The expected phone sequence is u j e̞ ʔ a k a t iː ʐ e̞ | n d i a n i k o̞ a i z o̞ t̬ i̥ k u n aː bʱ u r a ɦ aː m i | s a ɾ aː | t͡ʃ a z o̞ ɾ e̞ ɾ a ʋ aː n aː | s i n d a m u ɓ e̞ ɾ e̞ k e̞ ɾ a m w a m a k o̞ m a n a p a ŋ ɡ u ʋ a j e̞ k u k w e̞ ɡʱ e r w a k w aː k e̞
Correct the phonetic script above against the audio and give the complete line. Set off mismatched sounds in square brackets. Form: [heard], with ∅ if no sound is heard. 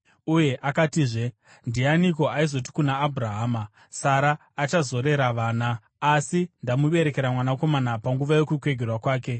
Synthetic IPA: u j e̞ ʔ a k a t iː ʐ e̞ | n d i a n i k o̞ a i z o̞ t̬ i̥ k u n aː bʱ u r a ɦ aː m [a] | s a ɾ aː | t͡ʃ a z o̞ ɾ e̞ ɾ a ʋ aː n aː | s i n d a m u ɓ e̞ ɾ e̞ k e̞ ɾ a m w a [n] a k o̞ m a n a p a ŋ ɡ u ʋ a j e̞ k u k w e̞ ɡʱ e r w a k w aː k e̞